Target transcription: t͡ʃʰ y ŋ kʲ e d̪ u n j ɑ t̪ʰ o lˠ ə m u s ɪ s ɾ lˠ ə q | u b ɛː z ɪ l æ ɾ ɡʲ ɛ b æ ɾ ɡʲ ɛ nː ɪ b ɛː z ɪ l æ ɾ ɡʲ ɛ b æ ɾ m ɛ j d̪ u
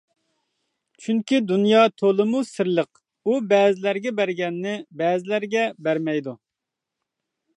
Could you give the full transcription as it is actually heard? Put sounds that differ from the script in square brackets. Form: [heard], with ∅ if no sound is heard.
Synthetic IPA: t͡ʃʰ y ŋ kʲ [i] d̪ u n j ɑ t̪ʰ o lˠ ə m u s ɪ [∅] ɾ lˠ ə q | u b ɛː z ɪ l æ ɾ ɡʲ ɛ b æ ɾ ɡʲ ɛ nː ɪ b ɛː z ɪ l æ ɾ ɡʲ ɛ b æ ɾ m ɛ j d̪ u